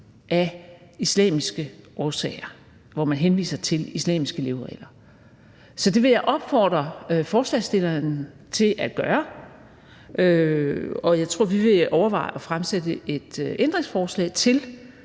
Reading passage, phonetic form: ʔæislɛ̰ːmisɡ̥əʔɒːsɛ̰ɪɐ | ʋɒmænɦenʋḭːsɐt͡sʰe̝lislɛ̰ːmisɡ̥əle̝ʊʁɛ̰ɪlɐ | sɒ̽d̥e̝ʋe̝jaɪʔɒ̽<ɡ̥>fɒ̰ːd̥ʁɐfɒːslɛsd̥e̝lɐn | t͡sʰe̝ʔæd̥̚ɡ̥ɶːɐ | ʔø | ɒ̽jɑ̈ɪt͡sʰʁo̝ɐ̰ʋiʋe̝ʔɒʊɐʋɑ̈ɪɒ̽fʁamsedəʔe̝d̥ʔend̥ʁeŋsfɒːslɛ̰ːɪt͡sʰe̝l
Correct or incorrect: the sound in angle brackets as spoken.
incorrect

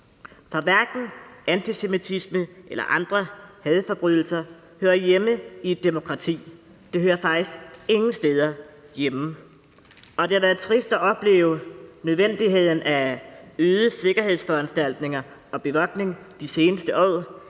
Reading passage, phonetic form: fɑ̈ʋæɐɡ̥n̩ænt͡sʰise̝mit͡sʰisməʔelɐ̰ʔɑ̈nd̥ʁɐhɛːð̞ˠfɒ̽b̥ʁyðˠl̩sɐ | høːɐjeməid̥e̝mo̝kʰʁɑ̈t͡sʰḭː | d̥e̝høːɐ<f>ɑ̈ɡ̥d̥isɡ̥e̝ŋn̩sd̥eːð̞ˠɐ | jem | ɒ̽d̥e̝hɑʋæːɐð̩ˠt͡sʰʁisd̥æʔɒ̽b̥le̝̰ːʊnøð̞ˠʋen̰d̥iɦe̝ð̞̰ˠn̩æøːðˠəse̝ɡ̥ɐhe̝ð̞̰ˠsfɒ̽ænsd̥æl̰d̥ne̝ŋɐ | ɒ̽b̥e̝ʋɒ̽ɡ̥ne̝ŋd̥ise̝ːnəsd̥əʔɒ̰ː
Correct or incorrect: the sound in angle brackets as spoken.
correct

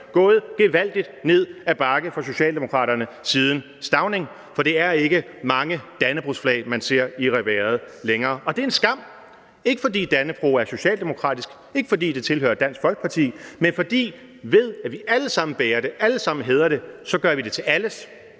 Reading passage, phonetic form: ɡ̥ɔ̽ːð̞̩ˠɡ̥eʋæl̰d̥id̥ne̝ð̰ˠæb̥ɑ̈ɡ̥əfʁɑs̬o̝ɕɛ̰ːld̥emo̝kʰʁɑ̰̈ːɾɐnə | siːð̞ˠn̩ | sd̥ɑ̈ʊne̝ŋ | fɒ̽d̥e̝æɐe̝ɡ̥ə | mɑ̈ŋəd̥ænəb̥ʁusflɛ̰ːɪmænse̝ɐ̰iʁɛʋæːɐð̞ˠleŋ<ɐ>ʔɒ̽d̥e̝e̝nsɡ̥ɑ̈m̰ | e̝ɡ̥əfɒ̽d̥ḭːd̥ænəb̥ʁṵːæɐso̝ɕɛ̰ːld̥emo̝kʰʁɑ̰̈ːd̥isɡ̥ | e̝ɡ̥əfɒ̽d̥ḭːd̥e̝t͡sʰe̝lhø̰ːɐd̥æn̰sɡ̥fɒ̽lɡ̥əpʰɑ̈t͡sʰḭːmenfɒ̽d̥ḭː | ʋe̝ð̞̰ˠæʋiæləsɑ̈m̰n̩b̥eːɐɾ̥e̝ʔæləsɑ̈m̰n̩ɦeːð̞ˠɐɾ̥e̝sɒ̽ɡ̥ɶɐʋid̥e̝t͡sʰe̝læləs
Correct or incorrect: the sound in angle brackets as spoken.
incorrect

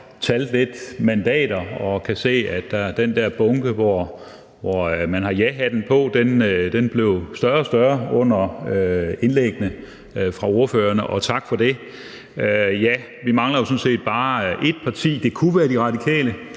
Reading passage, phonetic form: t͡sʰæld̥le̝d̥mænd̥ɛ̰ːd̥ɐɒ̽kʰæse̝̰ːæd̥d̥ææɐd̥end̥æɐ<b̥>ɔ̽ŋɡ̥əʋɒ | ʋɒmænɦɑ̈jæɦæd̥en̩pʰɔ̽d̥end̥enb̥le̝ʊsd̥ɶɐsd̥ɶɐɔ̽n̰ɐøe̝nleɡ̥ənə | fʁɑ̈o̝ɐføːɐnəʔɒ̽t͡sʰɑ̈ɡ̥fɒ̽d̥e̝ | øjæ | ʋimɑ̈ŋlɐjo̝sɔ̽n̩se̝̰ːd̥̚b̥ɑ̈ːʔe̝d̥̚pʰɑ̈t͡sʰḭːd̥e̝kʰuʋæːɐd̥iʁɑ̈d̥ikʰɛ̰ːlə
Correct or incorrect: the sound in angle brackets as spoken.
correct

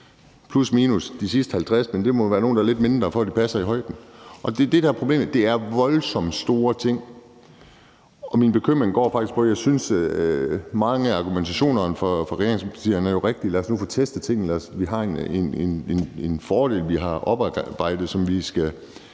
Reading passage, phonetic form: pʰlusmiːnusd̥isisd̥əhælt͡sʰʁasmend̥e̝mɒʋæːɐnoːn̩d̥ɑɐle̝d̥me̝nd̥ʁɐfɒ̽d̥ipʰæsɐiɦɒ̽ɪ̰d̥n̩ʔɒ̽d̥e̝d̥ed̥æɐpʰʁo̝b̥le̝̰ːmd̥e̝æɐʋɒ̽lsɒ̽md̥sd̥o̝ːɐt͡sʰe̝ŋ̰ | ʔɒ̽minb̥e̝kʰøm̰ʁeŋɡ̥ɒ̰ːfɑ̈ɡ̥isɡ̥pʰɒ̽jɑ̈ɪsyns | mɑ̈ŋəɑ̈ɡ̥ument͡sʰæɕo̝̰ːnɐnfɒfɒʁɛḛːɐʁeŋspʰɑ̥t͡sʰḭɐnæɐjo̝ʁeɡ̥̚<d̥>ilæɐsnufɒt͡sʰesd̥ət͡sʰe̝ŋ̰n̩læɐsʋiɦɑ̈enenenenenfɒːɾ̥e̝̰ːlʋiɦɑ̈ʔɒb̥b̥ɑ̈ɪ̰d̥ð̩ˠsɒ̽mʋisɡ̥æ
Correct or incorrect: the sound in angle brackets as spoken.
correct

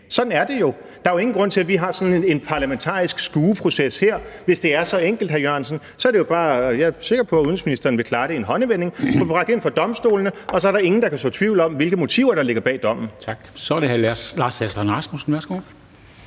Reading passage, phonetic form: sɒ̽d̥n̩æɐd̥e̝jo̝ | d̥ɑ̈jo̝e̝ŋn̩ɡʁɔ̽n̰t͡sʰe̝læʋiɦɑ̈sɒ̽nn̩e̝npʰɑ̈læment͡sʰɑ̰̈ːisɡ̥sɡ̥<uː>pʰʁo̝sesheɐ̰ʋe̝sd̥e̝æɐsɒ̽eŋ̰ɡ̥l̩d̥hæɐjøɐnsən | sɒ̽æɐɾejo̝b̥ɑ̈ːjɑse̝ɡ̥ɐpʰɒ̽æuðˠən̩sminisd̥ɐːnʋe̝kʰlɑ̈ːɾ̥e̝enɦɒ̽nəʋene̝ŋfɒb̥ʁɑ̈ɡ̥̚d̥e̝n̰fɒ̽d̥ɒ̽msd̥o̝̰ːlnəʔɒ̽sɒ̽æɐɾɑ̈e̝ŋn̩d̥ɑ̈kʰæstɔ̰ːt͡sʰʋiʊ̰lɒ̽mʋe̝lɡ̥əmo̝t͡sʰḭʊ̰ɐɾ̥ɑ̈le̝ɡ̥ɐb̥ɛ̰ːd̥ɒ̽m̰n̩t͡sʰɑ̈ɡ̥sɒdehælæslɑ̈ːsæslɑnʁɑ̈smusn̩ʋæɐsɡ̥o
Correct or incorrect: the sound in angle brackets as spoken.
correct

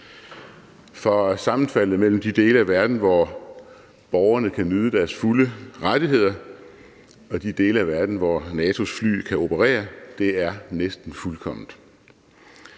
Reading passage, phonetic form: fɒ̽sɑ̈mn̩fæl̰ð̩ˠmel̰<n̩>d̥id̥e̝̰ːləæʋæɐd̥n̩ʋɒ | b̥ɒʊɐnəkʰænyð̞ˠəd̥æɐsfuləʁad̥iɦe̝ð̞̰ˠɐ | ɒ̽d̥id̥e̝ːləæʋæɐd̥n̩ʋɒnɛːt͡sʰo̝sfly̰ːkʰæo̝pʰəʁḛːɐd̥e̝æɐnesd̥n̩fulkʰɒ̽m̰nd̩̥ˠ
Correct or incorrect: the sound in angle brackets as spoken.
incorrect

